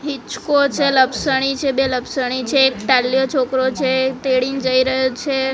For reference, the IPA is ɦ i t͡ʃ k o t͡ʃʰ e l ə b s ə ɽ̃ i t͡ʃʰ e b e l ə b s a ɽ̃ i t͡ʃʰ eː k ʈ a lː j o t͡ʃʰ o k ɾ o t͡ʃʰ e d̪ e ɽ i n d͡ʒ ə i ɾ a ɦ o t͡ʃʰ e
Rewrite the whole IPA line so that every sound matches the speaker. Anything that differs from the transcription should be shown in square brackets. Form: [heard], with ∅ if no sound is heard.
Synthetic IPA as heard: ɦ i t͡ʃ k o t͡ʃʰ e l ə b s ə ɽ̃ i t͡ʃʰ e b e l ə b s [ə] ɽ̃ i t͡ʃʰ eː k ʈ a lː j o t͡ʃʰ o k ɾ o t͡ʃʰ e [t̪] e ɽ i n d͡ʒ ə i ɾ [ə] ɦ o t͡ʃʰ e